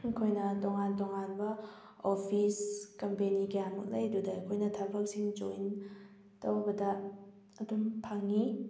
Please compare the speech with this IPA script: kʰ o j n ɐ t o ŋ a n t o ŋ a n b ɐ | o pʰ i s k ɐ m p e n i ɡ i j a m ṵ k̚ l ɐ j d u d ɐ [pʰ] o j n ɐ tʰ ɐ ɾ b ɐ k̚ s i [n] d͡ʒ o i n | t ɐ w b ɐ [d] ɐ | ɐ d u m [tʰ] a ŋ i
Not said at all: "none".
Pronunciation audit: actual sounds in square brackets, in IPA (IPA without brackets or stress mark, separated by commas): kʰ, ŋ, d, pʰ